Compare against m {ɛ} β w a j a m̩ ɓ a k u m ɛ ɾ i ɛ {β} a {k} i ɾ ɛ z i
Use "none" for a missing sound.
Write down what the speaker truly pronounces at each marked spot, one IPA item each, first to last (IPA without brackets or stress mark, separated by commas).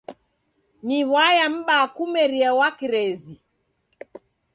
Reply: i, w, k